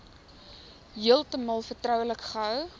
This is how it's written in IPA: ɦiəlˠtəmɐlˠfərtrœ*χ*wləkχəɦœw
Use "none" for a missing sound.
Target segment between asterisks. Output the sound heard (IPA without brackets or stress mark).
none